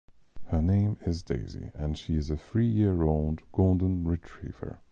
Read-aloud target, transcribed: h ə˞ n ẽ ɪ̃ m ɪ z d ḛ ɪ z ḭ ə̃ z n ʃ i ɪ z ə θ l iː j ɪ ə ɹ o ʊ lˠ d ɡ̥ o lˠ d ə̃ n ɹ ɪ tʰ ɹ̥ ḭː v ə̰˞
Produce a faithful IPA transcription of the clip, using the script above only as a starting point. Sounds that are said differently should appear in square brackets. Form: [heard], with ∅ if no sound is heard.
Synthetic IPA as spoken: h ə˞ n ẽ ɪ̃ m ɪ z d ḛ ɪ z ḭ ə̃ [∅] n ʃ i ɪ z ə θ [ɹ] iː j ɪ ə ɹ o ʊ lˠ d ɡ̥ o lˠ d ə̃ n ɹ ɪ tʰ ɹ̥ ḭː v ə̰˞